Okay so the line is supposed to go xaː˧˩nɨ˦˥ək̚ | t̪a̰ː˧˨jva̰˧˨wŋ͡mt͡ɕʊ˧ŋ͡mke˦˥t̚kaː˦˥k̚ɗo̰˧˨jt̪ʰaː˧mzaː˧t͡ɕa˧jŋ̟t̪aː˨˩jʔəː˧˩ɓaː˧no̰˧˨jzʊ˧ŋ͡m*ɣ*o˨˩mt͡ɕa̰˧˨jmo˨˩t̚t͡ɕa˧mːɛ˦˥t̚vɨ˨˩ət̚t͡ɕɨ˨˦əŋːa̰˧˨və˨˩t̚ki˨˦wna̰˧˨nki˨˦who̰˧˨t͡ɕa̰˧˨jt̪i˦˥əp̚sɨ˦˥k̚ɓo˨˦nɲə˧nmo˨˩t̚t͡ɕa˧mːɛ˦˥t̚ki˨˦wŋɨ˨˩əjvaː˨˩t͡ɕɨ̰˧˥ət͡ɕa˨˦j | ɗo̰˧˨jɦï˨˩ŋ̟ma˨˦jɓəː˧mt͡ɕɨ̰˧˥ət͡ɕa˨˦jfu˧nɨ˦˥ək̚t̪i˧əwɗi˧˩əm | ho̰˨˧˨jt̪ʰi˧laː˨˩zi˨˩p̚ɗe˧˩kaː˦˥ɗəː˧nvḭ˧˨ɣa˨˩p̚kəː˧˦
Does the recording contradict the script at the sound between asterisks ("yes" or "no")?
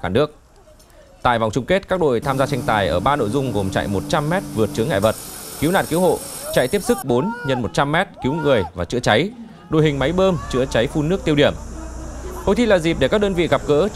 no